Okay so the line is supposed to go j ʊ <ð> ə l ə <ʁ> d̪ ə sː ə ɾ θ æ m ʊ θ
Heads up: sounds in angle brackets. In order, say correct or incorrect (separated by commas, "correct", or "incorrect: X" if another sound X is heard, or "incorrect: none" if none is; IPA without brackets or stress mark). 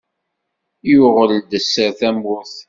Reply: incorrect: ʁ, incorrect: none